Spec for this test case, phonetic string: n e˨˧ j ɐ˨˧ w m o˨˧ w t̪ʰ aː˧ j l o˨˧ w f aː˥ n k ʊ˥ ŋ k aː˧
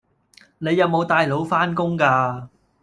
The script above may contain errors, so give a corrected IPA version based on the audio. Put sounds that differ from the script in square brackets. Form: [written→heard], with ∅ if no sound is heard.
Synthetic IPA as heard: n e˨˧ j ɐ˨˧ w m o˨˧ w [t̪ʰ→t̪] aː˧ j l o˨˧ w f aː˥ n k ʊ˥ ŋ k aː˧